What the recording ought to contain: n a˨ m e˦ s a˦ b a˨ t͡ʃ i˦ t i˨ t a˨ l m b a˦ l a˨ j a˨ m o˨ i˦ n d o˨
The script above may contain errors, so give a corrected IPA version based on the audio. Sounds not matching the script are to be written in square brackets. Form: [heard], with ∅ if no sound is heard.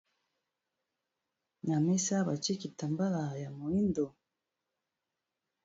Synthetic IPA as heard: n a˨ m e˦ s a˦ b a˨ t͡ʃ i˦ [k] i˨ t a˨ [∅] m b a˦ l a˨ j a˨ m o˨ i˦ n d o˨